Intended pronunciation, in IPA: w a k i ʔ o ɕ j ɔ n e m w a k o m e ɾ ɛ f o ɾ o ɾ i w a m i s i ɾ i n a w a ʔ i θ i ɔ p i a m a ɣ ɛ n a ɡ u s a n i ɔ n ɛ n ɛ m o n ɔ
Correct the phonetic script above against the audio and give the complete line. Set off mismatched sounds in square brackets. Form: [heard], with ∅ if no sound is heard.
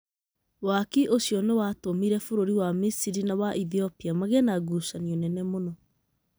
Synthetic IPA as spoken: w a k i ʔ o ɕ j ɔ n e [∅] w a [t] o m [i] ɾ ɛ f o ɾ o ɾ i w a m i s i ɾ i n a w a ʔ i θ i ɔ p i a m a ɣ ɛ n a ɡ u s a n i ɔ n ɛ n ɛ m o n ɔ